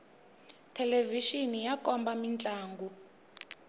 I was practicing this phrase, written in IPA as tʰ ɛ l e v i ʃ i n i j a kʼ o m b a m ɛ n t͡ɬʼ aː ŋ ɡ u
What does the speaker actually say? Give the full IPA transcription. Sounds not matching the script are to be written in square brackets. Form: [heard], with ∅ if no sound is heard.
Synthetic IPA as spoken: tʰ ɛ l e v i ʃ i n i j a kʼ [ɔ] m b a m [i] n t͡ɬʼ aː ŋ ɡ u